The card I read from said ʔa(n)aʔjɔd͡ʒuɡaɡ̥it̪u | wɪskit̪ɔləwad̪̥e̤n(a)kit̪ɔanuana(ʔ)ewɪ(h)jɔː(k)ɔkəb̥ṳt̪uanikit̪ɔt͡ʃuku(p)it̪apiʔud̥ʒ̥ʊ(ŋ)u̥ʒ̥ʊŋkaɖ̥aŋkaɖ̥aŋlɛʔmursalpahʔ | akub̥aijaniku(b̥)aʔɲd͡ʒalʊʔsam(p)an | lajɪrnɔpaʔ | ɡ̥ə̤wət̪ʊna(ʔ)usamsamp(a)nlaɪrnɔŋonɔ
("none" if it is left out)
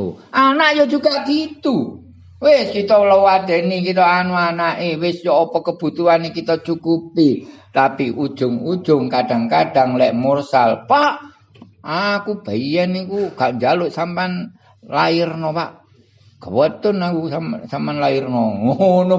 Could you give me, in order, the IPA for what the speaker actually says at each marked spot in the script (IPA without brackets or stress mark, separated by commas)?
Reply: n, i, ʔ, s, p, p, ŋ, ɡ̥, p, k, a